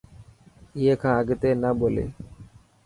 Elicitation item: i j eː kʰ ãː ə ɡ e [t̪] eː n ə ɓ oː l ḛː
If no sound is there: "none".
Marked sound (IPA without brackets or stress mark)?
t̪